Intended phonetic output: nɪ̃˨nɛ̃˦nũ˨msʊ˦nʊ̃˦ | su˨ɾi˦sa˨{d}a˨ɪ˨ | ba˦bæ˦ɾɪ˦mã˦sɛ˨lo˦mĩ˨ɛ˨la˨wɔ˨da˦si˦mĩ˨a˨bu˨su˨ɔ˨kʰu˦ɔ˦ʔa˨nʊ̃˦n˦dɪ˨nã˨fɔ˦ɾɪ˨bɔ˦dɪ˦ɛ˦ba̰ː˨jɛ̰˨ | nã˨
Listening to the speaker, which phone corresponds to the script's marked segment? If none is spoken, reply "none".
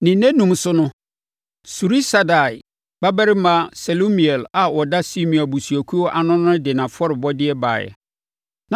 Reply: d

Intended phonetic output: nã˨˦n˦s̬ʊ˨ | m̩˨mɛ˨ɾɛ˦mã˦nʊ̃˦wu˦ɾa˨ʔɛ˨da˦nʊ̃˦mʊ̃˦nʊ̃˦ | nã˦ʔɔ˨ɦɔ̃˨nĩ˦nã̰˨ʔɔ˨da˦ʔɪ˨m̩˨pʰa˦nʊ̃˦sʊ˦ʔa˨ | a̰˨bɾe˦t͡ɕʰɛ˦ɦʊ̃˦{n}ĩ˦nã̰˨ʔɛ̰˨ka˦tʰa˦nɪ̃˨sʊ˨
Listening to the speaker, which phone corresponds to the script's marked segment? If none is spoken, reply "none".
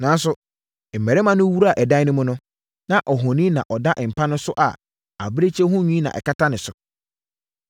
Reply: ɲ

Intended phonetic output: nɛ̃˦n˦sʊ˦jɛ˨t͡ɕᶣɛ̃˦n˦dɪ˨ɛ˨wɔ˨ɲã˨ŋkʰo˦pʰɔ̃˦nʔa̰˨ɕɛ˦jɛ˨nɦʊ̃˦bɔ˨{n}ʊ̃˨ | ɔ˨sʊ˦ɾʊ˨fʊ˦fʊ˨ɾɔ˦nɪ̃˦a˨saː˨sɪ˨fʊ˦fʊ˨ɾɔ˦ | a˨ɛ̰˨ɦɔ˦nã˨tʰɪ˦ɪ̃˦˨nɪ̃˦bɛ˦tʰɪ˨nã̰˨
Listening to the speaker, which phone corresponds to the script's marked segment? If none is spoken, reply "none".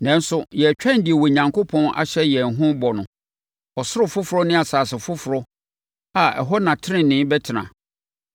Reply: n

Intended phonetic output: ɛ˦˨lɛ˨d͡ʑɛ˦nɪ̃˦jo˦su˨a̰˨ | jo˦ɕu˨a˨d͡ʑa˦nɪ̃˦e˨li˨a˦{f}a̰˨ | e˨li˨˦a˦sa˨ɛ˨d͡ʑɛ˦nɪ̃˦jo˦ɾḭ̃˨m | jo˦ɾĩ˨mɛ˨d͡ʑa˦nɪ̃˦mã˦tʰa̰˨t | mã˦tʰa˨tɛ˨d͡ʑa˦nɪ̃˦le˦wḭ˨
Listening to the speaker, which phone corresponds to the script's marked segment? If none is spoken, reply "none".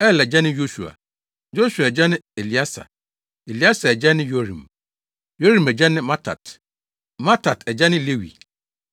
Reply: s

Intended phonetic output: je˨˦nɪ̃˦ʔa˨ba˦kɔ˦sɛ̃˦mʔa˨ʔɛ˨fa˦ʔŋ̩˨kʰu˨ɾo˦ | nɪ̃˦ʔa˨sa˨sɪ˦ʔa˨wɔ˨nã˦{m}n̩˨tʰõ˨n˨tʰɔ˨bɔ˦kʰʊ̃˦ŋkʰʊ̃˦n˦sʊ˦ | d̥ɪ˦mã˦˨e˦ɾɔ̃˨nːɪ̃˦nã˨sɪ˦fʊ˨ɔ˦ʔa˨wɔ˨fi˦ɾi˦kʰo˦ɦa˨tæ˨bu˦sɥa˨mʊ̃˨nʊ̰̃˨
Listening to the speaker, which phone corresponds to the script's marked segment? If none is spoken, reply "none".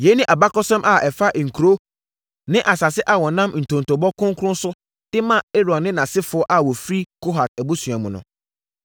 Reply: m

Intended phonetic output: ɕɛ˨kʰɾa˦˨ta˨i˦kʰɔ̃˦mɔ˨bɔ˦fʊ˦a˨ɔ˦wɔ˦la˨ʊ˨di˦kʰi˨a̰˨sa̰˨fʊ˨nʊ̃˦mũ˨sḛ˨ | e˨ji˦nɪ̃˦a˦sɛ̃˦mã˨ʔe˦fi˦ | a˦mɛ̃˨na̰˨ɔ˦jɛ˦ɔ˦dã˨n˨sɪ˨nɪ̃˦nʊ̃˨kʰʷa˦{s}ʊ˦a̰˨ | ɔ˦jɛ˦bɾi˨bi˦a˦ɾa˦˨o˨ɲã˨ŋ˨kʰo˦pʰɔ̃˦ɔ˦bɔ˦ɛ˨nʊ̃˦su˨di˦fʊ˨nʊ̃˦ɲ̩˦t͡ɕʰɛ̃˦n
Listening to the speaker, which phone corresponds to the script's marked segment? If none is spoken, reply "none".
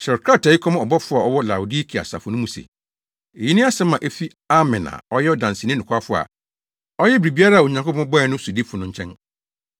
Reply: f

